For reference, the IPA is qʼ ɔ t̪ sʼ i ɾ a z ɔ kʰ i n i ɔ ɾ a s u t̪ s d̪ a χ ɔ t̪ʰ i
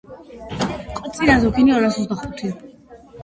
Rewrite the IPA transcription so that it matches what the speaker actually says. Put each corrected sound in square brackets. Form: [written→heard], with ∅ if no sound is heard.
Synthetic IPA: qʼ ɔ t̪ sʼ i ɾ a z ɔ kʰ i n i ɔ ɾ a s [u→ɔ] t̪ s d̪ a χ [ɔ→u] t̪ʰ i